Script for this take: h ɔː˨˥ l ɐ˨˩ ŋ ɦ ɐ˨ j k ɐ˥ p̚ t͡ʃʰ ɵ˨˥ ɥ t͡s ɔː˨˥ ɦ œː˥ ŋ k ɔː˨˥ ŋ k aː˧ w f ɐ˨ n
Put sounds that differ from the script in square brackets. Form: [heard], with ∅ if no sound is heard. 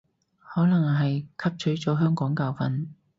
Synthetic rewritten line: h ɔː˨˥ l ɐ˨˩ ŋ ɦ ɐ˨ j [kʰ] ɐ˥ p̚ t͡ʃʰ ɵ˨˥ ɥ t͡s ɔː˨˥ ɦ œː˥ ŋ k ɔː˨˥ ŋ k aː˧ w f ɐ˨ n